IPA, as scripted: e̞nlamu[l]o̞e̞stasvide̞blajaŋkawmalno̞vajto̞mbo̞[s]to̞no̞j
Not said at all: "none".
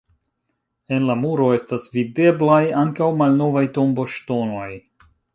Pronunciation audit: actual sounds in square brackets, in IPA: ɾ, ʃ

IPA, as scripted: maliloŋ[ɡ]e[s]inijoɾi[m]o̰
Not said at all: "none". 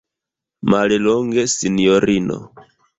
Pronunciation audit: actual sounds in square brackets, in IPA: ɡ, s, n

